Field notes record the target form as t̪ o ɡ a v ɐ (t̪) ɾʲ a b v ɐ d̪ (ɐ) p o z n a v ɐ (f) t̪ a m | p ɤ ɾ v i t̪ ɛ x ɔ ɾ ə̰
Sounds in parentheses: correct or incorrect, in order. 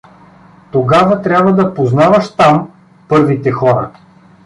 correct, correct, incorrect: ʃ

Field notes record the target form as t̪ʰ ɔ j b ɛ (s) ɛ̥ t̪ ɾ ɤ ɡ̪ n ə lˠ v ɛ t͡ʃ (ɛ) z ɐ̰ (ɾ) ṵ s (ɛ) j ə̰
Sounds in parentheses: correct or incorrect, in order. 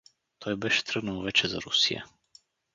incorrect: ʃ, correct, correct, incorrect: i

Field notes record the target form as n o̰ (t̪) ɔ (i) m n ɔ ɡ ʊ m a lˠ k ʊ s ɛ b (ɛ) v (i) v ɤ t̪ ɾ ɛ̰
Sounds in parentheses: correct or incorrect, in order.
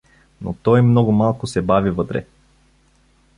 correct, incorrect: j, incorrect: a, correct

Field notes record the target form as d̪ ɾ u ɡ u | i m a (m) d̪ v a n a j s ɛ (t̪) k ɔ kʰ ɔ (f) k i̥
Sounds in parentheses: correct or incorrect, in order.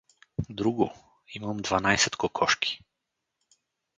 correct, correct, incorrect: ʃ

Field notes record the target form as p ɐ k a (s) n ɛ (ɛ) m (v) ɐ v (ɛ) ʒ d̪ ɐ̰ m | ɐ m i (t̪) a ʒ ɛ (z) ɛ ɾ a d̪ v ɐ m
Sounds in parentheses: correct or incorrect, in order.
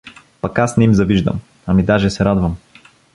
correct, incorrect: i, incorrect: z, incorrect: i, incorrect: d̪, incorrect: s

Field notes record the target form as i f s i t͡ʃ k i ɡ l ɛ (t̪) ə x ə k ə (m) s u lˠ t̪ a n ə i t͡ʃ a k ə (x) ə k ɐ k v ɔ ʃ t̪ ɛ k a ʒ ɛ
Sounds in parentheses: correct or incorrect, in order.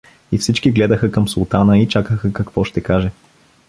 incorrect: d̪, correct, correct

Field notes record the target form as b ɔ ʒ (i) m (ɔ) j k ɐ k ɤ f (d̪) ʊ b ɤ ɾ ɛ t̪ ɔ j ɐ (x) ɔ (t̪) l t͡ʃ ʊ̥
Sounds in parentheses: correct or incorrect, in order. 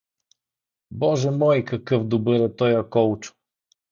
incorrect: ɛ, correct, correct, incorrect: k, incorrect: none

